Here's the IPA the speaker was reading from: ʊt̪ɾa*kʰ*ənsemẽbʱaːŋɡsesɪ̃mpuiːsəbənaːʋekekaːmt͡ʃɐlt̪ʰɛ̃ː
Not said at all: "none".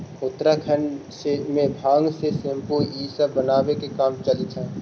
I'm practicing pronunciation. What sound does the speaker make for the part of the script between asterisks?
kʰ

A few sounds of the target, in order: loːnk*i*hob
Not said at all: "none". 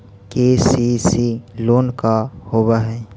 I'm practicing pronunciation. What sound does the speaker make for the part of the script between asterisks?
a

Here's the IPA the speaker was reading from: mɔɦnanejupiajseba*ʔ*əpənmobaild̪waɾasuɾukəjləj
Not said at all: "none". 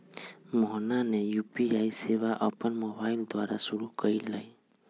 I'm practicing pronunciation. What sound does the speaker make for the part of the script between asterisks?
ʔ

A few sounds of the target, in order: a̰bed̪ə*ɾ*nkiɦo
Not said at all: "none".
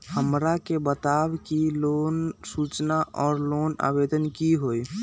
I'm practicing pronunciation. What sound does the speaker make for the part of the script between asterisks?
none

